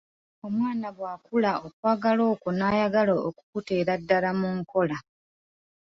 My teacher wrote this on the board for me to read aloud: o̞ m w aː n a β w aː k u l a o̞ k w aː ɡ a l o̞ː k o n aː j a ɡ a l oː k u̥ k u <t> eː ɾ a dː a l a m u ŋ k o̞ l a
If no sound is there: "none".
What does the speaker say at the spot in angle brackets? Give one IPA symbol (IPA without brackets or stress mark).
t